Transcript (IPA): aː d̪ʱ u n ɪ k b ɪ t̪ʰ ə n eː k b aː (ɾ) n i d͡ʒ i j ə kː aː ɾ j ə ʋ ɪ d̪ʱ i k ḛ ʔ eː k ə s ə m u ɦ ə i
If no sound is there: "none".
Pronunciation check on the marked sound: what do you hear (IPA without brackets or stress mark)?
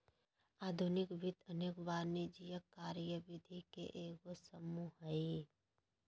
ɾ